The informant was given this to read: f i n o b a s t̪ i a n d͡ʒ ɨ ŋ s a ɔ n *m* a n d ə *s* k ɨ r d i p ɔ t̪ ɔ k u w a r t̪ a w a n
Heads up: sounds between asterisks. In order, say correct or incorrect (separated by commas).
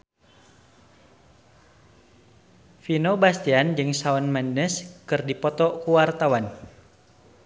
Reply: correct, correct